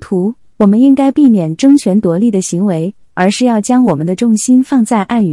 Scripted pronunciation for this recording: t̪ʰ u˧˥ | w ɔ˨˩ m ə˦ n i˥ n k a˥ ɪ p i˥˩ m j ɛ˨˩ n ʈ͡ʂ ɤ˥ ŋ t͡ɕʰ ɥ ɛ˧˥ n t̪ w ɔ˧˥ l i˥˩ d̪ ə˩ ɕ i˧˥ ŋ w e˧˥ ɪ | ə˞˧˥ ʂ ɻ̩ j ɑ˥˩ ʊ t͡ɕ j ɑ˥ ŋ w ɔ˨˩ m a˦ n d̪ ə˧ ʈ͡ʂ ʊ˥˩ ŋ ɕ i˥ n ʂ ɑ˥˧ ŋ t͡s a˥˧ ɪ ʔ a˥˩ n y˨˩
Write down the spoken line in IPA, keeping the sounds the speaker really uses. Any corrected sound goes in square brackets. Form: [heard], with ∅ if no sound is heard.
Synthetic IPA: t̪ʰ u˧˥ | w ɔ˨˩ m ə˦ n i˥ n k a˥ ɪ p i˥˩ m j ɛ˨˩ n ʈ͡ʂ ɤ˥ ŋ t͡ɕʰ ɥ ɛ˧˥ n t̪ w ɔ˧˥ l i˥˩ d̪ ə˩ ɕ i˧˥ ŋ w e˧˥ ɪ | ə˞˧˥ ʂ ɻ̩ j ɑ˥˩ ʊ t͡ɕ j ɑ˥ ŋ w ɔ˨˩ m [ə˦] n d̪ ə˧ ʈ͡ʂ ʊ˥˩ ŋ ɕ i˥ n [f] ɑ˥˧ ŋ t͡s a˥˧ ɪ ʔ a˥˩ n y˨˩